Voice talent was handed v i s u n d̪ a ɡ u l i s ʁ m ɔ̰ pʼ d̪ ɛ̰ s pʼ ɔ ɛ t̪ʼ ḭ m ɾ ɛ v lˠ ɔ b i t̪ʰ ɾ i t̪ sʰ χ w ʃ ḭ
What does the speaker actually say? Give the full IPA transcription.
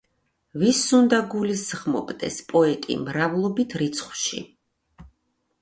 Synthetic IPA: v i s u n d̪ a ɡ u l i s ʁ m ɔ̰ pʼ d̪ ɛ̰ s pʼ ɔ ɛ t̪ʼ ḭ m ɾ a v lˠ ɔ b i t̪ʰ ɾ i t̪ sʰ χ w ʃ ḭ